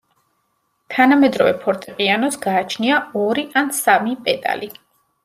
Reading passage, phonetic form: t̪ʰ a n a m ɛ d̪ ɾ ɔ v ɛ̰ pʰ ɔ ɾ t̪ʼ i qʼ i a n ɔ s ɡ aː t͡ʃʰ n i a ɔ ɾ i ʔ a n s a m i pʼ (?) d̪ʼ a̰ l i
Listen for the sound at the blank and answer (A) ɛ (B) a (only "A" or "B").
A